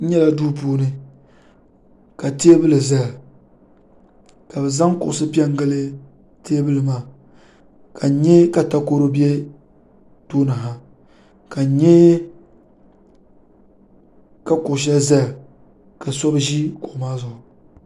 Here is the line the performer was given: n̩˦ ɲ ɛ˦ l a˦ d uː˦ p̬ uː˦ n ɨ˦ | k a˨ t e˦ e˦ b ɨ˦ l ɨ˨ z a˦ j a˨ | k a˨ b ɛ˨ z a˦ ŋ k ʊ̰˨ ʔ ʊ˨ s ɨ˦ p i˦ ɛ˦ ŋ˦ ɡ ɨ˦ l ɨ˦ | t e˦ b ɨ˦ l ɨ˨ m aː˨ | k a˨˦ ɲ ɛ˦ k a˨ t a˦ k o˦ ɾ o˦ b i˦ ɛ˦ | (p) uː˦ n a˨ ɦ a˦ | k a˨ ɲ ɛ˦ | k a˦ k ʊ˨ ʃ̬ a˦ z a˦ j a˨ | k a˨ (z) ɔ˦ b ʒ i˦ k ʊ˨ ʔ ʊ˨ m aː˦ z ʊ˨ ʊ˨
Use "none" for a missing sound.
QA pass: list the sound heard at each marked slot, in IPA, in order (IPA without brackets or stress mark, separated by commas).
t, s